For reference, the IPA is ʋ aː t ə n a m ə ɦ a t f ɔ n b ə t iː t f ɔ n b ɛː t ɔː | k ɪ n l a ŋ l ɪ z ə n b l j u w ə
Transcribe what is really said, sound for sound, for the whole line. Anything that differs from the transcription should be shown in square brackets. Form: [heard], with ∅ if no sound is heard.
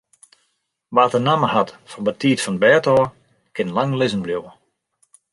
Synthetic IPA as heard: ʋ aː t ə n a m ə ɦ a t f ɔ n b ə t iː t f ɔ n b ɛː t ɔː | k ɪ n l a ŋ l ɪ z ə n b l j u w ə